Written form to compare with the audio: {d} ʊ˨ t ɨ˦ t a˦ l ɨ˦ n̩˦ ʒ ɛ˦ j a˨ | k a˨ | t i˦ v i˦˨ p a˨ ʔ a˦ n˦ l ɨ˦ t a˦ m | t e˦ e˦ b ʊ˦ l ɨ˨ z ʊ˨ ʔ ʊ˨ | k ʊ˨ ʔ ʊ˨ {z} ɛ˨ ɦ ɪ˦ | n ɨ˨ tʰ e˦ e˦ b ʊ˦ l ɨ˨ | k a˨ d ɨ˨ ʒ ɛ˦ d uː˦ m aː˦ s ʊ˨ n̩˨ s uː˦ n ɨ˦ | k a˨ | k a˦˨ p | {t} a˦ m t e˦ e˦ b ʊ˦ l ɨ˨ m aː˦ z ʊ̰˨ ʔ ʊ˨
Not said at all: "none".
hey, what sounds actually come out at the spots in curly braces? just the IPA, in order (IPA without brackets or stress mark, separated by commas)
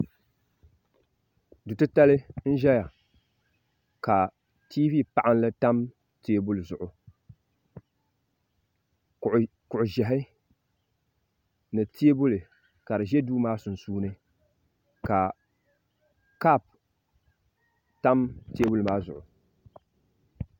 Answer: d, ʒ, t